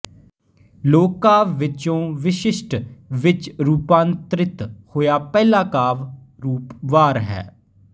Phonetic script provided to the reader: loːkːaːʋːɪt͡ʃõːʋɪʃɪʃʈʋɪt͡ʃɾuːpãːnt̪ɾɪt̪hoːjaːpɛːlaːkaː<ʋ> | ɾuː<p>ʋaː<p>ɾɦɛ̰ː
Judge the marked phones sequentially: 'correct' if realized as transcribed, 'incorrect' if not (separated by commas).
correct, correct, incorrect